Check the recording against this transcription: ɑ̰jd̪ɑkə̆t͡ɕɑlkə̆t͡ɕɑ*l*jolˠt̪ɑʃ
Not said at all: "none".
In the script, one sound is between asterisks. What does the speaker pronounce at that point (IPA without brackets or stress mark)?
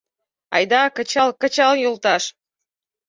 l